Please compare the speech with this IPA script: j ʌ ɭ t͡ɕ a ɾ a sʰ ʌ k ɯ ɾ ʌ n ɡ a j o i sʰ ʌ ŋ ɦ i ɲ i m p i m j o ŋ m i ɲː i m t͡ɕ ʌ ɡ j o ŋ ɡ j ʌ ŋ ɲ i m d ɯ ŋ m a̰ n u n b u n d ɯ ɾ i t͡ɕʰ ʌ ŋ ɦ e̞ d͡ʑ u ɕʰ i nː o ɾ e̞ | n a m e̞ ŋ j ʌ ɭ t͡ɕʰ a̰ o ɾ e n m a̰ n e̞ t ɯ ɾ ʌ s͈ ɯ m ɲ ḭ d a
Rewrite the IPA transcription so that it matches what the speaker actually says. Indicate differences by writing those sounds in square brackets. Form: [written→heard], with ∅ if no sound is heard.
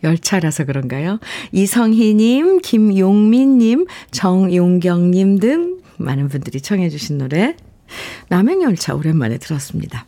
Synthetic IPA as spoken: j ʌ ɭ [t͡ɕ→t͡ɕʰ] a ɾ a sʰ ʌ k ɯ ɾ ʌ n ɡ a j o i sʰ ʌ ŋ ɦ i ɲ i m [p→k] i m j o ŋ m i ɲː i m t͡ɕ ʌ [ɡ→ŋ] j o ŋ ɡ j ʌ ŋ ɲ i m d ɯ ŋ m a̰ n [u→ɯ] n b u n d ɯ ɾ i t͡ɕʰ ʌ ŋ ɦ e̞ d͡ʑ u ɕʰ i nː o ɾ e̞ | n a m e̞ ŋ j ʌ ɭ t͡ɕʰ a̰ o ɾ e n m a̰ n e̞ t ɯ ɾ ʌ s͈ ɯ m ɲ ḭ d a